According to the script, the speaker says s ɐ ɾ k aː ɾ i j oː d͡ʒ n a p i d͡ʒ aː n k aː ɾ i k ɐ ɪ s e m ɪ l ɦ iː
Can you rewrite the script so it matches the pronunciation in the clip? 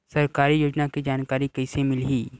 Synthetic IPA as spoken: s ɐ ɾ k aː ɾ i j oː d͡ʒ n a k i d͡ʒ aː n k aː ɾ i k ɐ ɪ s e m ɪ l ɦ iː